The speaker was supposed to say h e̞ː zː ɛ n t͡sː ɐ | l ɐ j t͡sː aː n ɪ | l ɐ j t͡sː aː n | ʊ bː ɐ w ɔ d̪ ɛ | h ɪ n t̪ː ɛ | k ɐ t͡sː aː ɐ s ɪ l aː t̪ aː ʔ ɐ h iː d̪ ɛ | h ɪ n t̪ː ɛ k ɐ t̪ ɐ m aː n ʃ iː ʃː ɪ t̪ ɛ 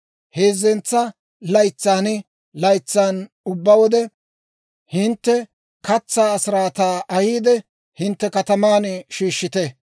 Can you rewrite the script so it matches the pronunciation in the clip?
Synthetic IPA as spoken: h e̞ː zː ɛ n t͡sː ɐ | l ɐ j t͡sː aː n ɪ | l ɐ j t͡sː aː n | ʊ bː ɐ w ɔ d̪ ɛ | h ɪ n t̪ː ɛ | k ɐ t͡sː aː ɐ s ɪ ɾ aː t̪ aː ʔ ɐ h iː d̪ ɛ | h ɪ n t̪ː ɛ k ɐ t̪ ɐ m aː n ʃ iː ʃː ɪ t̪ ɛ